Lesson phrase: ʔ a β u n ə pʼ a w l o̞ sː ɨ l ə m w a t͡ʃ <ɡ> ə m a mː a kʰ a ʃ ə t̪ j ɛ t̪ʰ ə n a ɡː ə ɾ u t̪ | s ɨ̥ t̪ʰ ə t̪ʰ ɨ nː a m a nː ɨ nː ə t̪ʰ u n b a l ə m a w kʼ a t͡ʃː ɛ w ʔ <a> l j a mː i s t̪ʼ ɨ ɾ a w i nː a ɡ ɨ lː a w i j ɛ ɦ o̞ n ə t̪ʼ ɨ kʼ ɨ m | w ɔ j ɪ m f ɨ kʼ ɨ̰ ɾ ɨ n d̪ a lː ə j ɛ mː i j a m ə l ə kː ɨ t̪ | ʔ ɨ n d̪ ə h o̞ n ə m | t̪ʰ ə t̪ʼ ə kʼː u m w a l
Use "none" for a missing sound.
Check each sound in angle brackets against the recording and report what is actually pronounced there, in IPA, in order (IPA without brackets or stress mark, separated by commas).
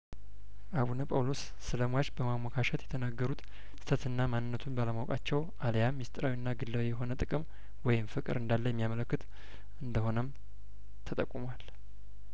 b, a